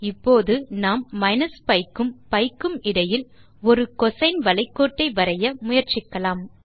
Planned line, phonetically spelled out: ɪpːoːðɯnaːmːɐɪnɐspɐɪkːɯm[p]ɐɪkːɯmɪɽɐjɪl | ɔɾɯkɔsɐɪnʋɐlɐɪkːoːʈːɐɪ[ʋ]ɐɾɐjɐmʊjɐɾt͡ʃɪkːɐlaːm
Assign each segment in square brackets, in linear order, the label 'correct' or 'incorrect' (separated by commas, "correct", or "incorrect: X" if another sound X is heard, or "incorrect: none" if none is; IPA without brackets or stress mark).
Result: correct, correct